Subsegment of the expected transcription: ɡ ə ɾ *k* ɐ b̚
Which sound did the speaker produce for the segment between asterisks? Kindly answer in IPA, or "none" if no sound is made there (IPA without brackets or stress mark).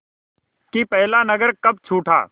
k